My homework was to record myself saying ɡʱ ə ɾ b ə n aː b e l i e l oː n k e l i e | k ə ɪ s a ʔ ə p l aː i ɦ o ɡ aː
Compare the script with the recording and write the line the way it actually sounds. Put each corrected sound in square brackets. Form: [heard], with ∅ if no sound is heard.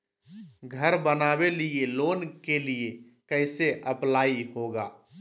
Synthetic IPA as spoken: ɡʱ ə ɾ b ə n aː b e l i e l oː n k e l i e | k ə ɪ s [e] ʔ ə p l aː i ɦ o ɡ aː